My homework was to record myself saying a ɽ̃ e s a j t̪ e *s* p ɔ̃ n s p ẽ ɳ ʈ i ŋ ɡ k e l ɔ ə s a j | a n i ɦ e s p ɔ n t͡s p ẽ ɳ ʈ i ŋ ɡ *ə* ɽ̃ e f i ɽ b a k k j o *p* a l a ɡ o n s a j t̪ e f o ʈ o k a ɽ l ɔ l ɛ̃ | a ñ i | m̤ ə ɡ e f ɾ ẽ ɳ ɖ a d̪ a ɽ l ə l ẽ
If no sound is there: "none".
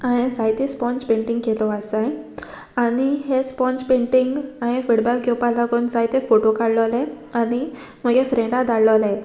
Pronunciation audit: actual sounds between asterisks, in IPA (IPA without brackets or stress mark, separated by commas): s, a, p